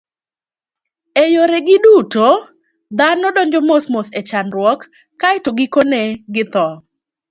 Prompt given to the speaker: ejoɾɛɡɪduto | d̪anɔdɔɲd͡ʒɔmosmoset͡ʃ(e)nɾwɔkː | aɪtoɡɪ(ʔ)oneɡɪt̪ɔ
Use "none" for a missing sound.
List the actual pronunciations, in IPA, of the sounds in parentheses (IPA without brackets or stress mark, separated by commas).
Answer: a, k